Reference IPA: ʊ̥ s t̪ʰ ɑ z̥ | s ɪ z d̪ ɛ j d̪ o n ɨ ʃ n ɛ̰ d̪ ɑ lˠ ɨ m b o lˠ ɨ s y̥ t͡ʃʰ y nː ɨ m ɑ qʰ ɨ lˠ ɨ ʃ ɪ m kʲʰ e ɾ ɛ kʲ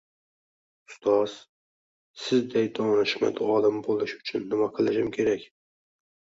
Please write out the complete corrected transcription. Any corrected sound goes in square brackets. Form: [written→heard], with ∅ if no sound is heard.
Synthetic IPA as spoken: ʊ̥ s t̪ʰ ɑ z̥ | s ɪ z d̪ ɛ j d̪ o n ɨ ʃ [n→m] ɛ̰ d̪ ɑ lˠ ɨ m b o lˠ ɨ [s→ʃ] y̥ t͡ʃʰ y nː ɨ m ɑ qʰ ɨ lˠ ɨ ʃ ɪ m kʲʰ e ɾ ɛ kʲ